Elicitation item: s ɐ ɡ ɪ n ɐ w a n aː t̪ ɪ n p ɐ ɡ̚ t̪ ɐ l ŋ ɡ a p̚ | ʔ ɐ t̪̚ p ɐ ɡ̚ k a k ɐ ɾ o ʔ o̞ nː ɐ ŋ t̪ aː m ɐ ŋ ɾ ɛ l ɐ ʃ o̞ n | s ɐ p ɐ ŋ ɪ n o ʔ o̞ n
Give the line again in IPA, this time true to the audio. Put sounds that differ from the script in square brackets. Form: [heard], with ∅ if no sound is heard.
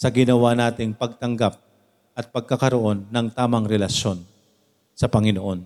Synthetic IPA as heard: s ɐ ɡ ɪ n ɐ w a n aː t̪ ɪ [ŋ] p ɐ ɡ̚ t̪ ɐ [∅] ŋ ɡ a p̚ | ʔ ɐ t̪̚ p ɐ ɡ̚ k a k ɐ ɾ o ʔ o̞ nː ɐ ŋ t̪ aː m ɐ ŋ ɾ ɛ l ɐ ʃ o̞ n | s ɐ p ɐ ŋ ɪ n o ʔ o̞ n